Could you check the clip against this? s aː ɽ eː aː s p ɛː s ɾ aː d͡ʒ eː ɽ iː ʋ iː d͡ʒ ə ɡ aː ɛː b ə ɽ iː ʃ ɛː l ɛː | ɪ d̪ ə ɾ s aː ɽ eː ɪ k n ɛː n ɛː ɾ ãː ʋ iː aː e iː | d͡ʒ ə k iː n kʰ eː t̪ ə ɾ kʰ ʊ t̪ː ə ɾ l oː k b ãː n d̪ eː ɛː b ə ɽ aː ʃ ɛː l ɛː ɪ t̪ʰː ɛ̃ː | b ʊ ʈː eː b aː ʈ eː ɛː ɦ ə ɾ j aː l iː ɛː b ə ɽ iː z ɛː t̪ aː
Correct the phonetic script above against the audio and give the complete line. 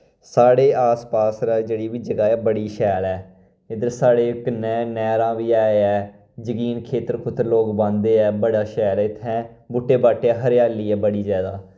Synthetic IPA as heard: s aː ɽ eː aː s p aː s ɾ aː d͡ʒ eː ɽ iː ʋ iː d͡ʒ ə ɡ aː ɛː b ə ɽ iː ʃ ɛː l ɛː | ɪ d̪ ə ɾ s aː ɽ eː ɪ k n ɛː n ɛː ɾ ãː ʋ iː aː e ɛː | d͡ʒ ə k iː n kʰ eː t̪ ə ɾ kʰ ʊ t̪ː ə ɾ l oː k b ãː n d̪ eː ɛː b ə ɽ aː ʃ ɛː l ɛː ɪ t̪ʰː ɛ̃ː | b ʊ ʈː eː b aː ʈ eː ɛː ɦ ə ɾ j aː l iː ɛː b ə ɽ iː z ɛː d̪ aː